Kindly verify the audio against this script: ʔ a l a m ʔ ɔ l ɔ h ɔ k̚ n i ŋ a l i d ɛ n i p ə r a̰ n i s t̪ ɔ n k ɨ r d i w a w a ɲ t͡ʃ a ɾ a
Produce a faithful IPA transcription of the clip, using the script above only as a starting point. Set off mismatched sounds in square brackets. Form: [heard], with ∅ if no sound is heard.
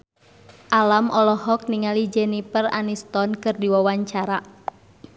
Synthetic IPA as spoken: ʔ a l a m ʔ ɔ l ɔ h ɔ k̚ n i ŋ a l i [d͡ʒ] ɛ n i p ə r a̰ n i s t̪ ɔ n k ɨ r d i w a w a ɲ t͡ʃ a ɾ a